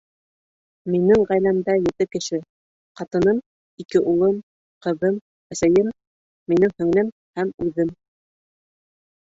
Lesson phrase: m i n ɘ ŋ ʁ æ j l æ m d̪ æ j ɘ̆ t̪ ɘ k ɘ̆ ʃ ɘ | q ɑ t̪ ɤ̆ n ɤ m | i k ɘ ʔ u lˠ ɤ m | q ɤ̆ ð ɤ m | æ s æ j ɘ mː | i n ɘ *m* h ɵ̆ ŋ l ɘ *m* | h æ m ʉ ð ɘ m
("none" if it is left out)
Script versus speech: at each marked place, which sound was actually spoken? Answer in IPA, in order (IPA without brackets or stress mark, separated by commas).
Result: ŋ, m